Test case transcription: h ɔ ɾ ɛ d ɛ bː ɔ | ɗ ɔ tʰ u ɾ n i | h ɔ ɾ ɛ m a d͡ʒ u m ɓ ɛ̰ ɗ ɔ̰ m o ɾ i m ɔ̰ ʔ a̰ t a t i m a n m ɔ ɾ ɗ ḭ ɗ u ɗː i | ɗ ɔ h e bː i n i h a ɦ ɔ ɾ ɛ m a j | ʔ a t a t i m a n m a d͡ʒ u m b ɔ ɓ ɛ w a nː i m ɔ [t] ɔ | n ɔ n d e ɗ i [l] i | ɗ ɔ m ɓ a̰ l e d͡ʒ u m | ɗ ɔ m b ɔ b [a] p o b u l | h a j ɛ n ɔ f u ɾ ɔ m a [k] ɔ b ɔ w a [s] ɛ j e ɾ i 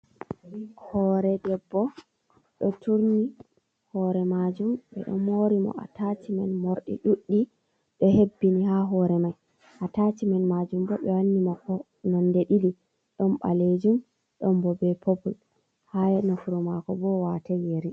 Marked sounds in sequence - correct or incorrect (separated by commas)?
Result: incorrect, correct, incorrect, correct, incorrect